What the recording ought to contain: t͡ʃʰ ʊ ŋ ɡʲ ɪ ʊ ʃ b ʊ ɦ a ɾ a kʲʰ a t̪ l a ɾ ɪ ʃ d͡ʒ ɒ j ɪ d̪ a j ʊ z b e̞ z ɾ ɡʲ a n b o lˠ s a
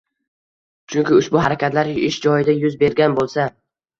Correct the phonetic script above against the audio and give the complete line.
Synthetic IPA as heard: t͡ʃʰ ʊ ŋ kʲ ɪ ʊ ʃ b ʊ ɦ a ɾ a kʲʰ a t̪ l a ɾ ɪ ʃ d͡ʒ ɒ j ɪ d̪ a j ʊ z b e̞ ɾ ɡʲ a n b o lˠ s a